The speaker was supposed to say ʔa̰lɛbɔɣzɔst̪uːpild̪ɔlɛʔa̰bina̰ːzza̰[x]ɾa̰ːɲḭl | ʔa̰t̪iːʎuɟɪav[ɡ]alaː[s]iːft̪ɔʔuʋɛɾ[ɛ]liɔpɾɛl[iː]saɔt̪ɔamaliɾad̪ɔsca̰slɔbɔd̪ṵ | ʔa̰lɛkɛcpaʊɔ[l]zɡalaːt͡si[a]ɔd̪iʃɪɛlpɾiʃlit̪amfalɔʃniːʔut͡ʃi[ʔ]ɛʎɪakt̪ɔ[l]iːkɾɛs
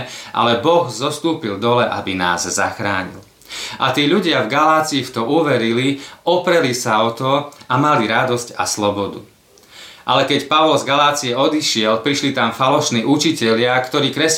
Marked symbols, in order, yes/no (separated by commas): yes, yes, no, no, no, yes, no, no, no